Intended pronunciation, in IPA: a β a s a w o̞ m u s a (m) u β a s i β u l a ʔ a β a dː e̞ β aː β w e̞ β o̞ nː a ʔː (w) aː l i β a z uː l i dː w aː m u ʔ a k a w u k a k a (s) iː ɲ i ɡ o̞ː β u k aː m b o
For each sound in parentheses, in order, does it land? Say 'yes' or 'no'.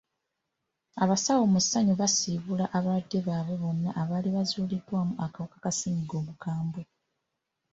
no, no, yes

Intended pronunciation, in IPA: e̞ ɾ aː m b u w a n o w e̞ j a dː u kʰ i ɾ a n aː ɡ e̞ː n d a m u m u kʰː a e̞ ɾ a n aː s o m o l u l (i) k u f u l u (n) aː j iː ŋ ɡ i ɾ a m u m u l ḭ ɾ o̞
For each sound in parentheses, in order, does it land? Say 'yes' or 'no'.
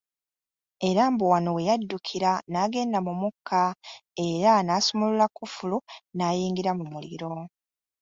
no, yes

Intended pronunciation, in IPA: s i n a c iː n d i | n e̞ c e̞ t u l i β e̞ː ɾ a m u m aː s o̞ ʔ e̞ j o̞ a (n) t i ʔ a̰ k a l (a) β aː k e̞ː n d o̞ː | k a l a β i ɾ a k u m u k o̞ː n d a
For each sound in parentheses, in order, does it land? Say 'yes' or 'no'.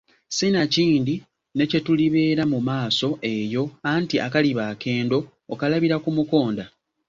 yes, no

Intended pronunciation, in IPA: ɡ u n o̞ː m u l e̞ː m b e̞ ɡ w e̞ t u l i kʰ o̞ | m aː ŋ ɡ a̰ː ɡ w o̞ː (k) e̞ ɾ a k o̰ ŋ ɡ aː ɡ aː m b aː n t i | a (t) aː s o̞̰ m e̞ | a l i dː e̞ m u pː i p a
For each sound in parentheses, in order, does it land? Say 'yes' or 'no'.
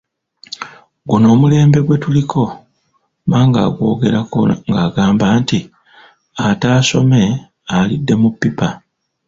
no, yes

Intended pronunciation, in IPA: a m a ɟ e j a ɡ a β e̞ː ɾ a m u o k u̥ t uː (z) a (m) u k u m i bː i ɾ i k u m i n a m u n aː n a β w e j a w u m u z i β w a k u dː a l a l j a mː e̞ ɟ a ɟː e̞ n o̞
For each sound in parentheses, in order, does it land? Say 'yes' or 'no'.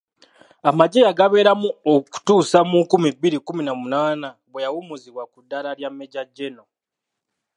no, yes

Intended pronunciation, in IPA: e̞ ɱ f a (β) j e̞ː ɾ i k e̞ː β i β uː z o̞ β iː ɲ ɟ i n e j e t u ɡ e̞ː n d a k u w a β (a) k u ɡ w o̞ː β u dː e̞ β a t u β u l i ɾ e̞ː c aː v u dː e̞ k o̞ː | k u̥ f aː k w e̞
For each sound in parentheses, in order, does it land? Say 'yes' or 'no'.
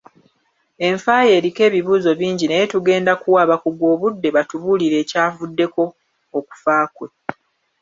no, yes

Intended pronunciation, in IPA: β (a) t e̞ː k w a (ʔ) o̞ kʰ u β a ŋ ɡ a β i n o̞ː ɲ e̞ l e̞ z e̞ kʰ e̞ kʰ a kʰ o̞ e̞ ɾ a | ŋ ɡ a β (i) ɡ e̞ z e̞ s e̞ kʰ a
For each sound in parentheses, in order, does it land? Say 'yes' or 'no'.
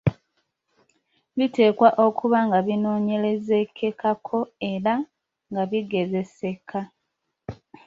no, yes, yes

